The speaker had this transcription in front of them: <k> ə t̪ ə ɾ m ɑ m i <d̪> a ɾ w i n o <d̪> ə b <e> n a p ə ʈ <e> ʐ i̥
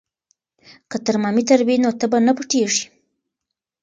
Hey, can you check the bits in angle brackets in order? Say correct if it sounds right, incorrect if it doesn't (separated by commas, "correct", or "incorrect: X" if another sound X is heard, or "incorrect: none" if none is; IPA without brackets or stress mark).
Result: correct, incorrect: t̪, incorrect: t̪, incorrect: a, correct